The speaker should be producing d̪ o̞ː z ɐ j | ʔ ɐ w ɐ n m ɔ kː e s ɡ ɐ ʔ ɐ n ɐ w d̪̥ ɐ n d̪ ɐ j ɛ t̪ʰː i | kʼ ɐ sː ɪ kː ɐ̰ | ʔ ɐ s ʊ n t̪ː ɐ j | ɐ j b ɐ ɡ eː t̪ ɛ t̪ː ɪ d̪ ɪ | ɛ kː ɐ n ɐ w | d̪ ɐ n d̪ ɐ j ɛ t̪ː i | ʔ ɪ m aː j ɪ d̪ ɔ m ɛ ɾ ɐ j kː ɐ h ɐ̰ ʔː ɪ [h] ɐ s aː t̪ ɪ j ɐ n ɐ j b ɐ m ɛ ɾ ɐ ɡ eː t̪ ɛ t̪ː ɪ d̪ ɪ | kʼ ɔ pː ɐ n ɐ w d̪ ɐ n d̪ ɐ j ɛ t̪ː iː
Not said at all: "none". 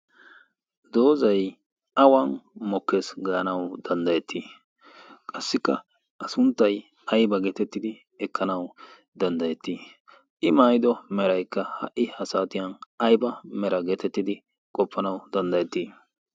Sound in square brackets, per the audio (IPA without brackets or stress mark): h